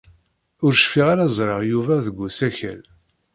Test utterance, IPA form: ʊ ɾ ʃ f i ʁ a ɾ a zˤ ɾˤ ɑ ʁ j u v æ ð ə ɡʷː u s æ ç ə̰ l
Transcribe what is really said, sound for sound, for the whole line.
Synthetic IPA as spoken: ʊ ɾ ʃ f i ʁ a ɾ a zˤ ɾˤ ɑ ʁ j u v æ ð ə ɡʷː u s æ ç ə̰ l